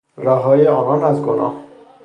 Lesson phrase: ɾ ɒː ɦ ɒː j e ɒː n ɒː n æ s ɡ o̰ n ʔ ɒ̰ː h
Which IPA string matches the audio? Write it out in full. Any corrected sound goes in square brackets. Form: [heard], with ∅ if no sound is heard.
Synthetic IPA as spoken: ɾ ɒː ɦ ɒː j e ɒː n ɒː n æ [z] ɡ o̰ n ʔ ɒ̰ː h